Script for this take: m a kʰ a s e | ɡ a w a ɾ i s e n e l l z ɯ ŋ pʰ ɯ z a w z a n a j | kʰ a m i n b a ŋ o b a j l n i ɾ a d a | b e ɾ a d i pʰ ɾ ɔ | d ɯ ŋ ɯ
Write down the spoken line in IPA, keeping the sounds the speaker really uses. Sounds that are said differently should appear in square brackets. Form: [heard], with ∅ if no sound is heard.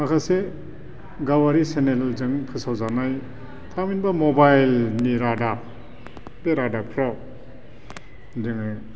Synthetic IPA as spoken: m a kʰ a s e | ɡ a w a ɾ i s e n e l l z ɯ ŋ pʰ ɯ [s] a w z a n a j | [tʰ] a m i n b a [m] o b a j l n i ɾ a d a | b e ɾ a d [a] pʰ ɾ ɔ | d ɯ ŋ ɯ